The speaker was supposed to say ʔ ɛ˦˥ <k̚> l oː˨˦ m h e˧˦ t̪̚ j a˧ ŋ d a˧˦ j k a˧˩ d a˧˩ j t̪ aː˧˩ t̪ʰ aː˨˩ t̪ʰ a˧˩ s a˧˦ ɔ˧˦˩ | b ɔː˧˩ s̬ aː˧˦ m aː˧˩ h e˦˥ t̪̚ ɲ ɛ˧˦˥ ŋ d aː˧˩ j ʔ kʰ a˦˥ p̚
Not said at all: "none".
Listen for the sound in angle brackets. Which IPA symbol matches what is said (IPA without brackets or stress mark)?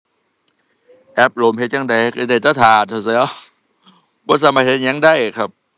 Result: p̚